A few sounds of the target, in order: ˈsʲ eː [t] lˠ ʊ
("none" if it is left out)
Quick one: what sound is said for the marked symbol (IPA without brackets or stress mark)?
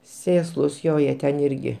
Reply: s